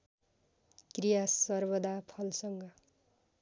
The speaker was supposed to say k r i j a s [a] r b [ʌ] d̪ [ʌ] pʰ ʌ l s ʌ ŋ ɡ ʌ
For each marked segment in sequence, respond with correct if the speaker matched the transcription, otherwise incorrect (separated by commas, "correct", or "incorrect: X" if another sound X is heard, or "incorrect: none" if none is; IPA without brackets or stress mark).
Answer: incorrect: ʌ, correct, incorrect: a